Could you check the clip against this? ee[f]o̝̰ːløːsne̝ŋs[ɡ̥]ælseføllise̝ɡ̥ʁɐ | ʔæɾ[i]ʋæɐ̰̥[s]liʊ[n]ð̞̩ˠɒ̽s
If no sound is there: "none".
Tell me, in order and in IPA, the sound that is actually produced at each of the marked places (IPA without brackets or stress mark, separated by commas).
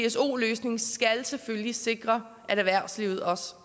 s, ɡ̥, æ, s, none